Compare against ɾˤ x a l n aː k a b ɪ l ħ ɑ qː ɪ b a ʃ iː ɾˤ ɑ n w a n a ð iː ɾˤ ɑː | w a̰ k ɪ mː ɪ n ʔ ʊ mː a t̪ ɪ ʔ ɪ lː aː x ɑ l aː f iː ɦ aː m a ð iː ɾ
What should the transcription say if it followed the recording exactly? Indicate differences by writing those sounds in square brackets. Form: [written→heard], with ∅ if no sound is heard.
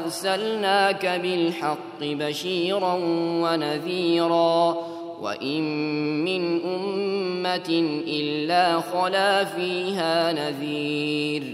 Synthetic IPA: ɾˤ [x→s] a l n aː k a b ɪ l ħ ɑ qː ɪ b a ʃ iː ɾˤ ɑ n w a n a ð iː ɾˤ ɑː | w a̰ [k→ʔ] ɪ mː ɪ n ʔ ʊ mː a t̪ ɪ ʔ ɪ lː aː x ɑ l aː f iː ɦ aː [m→n] a ð iː ɾ